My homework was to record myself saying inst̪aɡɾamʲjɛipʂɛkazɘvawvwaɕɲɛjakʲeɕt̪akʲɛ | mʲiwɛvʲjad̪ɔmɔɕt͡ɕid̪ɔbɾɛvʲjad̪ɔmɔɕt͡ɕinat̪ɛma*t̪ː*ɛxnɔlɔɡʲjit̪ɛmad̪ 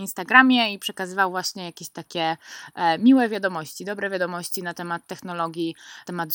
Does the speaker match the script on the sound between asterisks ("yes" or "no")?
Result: yes